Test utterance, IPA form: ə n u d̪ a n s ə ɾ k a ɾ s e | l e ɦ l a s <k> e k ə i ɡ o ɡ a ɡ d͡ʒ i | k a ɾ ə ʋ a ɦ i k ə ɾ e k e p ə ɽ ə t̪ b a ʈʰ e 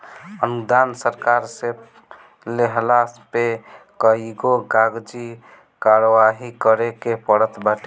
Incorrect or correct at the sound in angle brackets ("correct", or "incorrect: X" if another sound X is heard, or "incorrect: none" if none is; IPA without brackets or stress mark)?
incorrect: p